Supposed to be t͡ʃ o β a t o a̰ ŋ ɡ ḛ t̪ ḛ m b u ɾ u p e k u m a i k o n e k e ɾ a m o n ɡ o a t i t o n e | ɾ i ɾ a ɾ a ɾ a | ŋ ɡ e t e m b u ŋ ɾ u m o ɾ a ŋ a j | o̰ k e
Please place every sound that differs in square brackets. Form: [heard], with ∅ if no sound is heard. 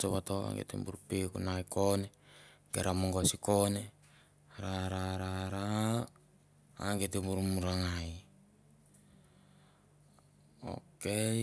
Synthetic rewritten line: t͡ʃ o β a t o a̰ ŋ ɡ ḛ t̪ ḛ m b u ɾ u p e k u [n] a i k o n e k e ɾ a m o [ŋ] ɡ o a [s] i [k] o n e | ɾ [a] ɾ a ɾ a ɾ a | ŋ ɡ e t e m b u [∅] ɾ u m [u] ɾ a ŋ a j | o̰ k e